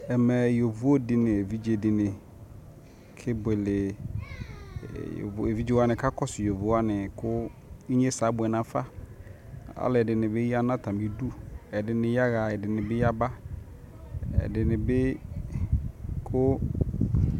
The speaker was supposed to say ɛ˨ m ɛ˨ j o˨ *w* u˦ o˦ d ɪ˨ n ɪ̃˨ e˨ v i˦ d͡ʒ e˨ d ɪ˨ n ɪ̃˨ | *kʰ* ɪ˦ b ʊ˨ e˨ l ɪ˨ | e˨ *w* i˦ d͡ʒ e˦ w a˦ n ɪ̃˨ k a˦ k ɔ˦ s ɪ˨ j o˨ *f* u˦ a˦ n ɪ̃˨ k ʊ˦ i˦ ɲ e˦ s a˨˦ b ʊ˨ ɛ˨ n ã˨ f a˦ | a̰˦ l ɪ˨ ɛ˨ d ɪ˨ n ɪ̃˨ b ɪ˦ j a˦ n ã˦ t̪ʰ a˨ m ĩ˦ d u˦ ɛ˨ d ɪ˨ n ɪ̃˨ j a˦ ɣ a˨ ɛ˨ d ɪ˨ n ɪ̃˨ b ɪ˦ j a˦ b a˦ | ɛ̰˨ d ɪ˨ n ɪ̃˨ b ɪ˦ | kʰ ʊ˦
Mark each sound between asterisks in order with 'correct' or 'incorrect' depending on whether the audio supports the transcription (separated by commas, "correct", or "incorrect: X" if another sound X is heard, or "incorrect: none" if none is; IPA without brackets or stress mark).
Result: incorrect: v, correct, incorrect: v, incorrect: v